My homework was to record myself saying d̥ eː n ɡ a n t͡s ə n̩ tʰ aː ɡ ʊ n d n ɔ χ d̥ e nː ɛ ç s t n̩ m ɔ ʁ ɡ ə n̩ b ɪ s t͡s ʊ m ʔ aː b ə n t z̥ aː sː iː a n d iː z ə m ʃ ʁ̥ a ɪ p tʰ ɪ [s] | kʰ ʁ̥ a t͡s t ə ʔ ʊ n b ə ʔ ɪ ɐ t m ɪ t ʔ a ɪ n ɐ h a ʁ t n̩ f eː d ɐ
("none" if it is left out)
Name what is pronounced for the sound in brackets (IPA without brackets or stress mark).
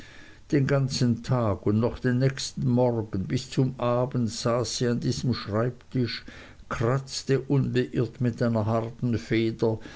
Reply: ʃ